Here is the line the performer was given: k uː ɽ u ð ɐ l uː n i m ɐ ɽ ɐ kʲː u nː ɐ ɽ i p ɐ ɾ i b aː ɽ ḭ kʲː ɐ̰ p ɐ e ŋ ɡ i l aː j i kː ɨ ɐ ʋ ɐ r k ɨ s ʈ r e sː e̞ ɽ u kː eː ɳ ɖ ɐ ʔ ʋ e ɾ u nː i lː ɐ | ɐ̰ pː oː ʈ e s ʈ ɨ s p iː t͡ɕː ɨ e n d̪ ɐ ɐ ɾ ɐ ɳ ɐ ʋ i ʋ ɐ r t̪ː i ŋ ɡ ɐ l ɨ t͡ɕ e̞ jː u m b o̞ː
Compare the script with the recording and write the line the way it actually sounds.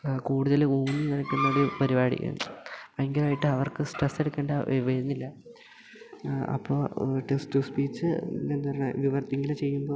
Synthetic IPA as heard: k uː ɽ u ð ɐ l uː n i n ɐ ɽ ɐ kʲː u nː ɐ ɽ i p ɐ ɾ i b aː ɽ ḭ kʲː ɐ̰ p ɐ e ŋ ɡ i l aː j i ʈː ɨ ɐ ʋ ɐ r k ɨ s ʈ r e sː e̞ ɽ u kː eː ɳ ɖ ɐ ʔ ʋ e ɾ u nː i lː ɐ | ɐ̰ pː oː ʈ e s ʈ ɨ s p iː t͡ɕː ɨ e n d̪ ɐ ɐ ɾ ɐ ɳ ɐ ʋ i ʋ ɐ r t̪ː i ŋ ɡ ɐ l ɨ t͡ɕ e̞ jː u m b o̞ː